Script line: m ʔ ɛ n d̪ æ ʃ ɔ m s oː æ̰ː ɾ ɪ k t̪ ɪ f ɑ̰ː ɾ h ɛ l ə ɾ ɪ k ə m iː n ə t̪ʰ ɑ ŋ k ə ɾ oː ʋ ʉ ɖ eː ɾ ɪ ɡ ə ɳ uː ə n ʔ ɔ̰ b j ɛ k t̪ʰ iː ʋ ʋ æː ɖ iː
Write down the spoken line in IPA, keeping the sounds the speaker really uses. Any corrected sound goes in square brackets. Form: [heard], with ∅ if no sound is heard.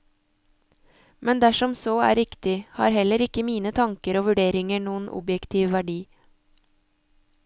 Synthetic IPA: m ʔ ɛ n d̪ æ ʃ ɔ m s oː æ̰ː ɾ ɪ k t̪ ɪ [h] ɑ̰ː ɾ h ɛ l ə ɾ ɪ k ə m iː n ə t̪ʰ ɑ ŋ k ə ɾ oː ʋ ʉ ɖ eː ɾ ɪ [ŋ] ə ɳ uː ə n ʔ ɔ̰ b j ɛ k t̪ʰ iː ʋ ʋ [æ] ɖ iː